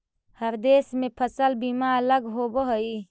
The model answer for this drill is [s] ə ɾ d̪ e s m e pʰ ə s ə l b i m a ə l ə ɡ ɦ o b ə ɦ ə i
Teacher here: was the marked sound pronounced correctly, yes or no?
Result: no